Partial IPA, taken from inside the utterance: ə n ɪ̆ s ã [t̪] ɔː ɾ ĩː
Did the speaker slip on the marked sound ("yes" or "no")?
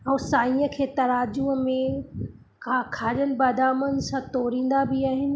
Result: no